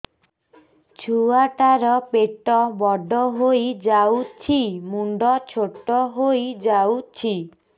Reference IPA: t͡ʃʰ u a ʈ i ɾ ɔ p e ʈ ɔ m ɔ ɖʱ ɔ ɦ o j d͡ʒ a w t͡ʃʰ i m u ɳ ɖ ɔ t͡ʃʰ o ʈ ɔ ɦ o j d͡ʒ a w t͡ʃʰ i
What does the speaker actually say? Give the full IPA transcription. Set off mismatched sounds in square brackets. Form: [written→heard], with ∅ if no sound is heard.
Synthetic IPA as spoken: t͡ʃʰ u a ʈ [i→a] ɾ ɔ p e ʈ ɔ [m→b] ɔ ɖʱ ɔ ɦ o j d͡ʒ a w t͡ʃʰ i m u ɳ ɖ ɔ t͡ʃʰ o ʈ ɔ ɦ o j d͡ʒ a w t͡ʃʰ i